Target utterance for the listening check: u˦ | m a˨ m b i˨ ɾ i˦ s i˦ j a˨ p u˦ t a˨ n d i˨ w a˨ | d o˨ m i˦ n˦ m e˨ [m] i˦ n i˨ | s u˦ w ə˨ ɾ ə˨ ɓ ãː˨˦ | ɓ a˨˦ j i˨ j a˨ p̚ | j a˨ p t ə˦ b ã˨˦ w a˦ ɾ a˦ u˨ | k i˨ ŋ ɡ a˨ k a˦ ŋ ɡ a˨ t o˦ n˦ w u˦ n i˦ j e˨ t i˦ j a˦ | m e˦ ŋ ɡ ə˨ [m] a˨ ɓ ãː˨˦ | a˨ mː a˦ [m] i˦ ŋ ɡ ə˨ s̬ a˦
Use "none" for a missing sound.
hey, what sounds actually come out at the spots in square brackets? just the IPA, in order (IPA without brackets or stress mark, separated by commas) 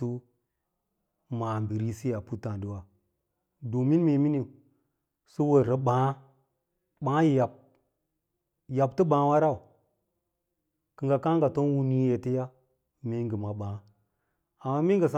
m, m, m